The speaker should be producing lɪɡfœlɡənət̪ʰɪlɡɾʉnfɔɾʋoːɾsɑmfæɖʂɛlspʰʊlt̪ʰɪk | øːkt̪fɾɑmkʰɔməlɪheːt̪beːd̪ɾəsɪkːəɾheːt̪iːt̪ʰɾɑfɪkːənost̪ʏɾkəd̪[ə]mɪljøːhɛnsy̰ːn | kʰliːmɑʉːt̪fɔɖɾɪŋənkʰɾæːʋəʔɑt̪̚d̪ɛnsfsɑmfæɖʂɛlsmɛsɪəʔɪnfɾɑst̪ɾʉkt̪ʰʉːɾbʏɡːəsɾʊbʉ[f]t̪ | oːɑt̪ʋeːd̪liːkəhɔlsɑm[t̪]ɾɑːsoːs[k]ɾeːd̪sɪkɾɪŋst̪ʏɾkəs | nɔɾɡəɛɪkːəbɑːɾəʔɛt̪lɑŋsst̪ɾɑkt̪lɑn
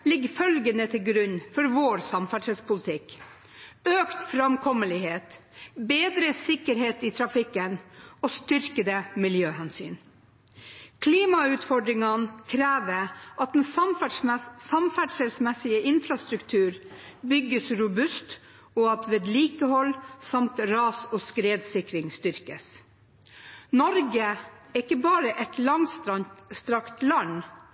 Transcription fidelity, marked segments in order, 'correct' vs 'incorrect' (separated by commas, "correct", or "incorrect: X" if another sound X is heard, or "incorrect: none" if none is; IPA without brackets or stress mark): correct, incorrect: s, correct, correct